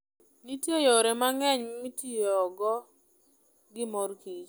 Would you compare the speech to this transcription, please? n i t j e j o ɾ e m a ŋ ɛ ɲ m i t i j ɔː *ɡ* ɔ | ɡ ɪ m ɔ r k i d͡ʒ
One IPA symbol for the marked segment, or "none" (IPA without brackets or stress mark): ɡ